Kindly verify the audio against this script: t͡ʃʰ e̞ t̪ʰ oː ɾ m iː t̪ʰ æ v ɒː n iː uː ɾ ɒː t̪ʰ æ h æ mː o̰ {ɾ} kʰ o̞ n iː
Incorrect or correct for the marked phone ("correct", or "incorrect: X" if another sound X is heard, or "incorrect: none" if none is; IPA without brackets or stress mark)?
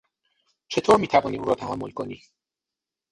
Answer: incorrect: l